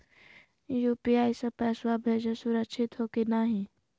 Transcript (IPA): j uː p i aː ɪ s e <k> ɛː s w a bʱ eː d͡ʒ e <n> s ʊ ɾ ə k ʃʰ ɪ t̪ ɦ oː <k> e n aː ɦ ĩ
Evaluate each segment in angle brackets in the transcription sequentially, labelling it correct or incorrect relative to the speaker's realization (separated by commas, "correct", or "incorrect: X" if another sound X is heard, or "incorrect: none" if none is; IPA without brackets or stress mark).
incorrect: p, incorrect: none, correct